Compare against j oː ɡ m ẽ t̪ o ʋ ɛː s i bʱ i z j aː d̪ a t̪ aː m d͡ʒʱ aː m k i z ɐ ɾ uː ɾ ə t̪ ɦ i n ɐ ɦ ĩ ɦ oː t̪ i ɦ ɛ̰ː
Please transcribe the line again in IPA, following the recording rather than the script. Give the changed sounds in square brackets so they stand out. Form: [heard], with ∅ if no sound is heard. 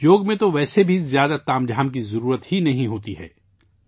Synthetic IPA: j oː ɡ m ẽ t̪ o ʋ ɛː s [e] bʱ i z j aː d̪ a t̪ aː m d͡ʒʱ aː m k i z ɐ ɾ uː ɾ ə t̪ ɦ i n ɐ ɦ ĩ ɦ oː t̪ i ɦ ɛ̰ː